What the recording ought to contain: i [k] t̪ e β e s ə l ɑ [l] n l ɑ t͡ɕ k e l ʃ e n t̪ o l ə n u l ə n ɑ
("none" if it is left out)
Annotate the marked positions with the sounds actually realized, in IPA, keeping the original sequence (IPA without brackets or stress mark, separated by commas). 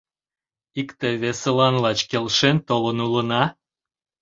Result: k, none